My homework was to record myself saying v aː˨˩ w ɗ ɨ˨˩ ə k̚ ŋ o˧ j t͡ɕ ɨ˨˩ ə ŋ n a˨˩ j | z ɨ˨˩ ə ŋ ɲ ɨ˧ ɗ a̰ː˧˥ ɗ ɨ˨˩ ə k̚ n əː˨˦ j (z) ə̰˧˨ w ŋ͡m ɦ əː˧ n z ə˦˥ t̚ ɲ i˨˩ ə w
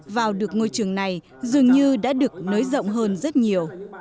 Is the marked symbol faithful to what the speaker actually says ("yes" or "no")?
yes